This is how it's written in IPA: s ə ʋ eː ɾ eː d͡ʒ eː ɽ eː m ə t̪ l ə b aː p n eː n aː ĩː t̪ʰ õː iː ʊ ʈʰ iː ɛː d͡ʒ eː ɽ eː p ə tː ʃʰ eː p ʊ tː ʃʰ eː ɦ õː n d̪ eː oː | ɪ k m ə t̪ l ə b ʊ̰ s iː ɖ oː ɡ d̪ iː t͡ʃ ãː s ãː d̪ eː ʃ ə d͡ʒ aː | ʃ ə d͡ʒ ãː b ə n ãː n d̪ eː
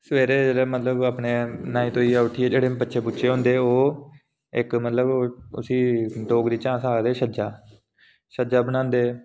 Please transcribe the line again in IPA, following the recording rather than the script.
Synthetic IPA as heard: s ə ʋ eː ɾ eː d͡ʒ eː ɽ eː m ə t̪ l ə b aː p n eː n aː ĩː t̪ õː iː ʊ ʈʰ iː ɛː d͡ʒ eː ɽ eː p ə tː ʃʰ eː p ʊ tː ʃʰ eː ɦ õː n d̪ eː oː | ɪ k m ə t̪ l ə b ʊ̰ s iː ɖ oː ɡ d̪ iː t͡ʃ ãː s aː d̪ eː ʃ ə d͡ʒ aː | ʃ ə d͡ʒ aː b ə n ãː n d̪ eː